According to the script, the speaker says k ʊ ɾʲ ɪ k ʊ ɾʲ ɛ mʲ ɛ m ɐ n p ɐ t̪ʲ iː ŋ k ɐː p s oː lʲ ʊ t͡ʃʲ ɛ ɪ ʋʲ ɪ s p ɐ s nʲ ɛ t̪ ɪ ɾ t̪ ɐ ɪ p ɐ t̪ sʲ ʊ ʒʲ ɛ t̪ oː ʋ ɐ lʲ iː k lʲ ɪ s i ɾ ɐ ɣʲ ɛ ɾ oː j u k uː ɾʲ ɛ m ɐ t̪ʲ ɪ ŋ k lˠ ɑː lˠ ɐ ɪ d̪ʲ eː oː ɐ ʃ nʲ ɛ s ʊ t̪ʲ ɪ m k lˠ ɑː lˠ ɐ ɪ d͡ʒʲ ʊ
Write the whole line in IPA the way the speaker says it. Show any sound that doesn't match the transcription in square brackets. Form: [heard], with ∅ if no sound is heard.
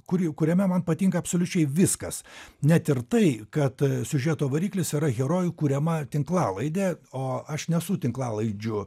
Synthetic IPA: k ʊ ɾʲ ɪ k ʊ ɾʲ ɛ mʲ ɛ m ɐ n p ɐ t̪ʲ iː ŋ k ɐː p s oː lʲ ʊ t͡ʃʲ ɛ ɪ ʋʲ ɪ s [k] ɐ s nʲ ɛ t̪ ɪ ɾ t̪ ɐ ɪ [k] ɐ t̪ sʲ ʊ ʒʲ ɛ t̪ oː ʋ ɐ [ɾʲ] iː k lʲ ɪ s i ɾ ɐ ɣʲ ɛ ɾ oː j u k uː ɾʲ ɛ m ɐ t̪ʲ ɪ ŋ k lˠ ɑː lˠ ɐ ɪ d̪ʲ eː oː ɐ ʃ nʲ ɛ s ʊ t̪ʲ ɪ [ŋ] k lˠ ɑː lˠ ɐ ɪ d͡ʒʲ ʊ